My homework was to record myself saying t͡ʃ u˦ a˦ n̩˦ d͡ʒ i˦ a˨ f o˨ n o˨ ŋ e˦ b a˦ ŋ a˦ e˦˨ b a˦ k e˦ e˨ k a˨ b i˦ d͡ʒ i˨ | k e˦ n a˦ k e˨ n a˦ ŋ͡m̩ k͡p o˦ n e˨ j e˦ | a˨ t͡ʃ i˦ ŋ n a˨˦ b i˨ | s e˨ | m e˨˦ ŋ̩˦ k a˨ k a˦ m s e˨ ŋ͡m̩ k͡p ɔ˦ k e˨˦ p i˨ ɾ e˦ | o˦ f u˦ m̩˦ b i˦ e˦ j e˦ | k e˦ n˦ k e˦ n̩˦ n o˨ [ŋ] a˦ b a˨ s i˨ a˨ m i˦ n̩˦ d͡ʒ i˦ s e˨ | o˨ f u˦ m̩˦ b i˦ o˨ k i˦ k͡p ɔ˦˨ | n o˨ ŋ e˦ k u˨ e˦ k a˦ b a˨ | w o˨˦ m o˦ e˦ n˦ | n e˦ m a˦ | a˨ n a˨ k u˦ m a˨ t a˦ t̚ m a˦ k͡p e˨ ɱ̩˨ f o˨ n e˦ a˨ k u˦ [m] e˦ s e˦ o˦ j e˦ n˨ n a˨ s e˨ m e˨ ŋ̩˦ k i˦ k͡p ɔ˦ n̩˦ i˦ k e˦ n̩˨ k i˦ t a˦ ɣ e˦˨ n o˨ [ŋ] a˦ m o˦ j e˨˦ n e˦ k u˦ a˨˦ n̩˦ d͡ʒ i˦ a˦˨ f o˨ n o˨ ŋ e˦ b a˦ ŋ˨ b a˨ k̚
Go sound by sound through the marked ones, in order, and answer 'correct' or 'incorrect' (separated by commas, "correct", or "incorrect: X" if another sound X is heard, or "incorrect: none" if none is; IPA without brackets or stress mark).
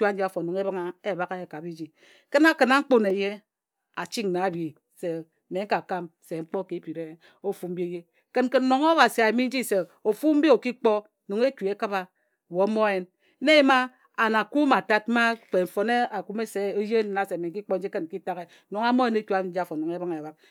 correct, correct, correct